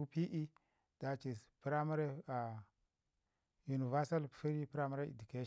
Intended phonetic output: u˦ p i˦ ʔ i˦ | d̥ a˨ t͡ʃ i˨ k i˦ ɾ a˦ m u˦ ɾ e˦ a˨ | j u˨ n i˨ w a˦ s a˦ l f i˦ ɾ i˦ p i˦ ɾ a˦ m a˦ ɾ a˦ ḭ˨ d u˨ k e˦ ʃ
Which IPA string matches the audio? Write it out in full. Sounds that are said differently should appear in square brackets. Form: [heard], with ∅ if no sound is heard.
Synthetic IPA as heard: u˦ p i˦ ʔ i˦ | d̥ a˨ t͡ʃ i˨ [p] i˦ ɾ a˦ m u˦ ɾ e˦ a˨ | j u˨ n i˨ [v] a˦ s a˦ l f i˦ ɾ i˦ p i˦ ɾ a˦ m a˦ ɾ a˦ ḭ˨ d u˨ k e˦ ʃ